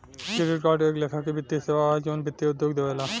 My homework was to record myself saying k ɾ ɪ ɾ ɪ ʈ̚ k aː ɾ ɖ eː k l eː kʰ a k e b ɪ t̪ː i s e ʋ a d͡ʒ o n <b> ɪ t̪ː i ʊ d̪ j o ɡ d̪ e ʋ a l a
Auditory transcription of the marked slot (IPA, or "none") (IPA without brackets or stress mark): b